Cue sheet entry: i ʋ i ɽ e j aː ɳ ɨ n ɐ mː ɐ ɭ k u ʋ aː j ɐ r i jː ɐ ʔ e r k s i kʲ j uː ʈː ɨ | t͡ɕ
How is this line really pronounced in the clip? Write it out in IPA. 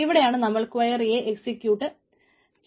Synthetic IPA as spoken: i ʋ i ɽ e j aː ɳ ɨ n ɐ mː ɐ ɭ k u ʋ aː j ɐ r i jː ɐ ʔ e k s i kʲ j uː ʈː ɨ | t͡ɕ